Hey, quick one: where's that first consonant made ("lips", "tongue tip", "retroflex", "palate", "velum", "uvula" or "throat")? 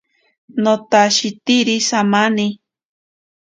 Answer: tongue tip